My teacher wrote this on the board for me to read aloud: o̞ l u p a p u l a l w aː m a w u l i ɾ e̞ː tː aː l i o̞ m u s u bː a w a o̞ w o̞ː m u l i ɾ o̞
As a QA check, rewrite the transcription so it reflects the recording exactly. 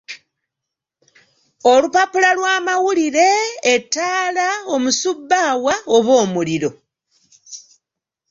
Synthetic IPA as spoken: o̞ l u p a p u l a l w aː m a w u l i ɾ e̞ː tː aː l a o̞ m u s u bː a w a o̞ β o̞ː m u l i ɾ o̞